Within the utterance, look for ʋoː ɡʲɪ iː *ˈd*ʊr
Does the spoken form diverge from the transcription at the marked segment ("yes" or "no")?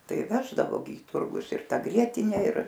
yes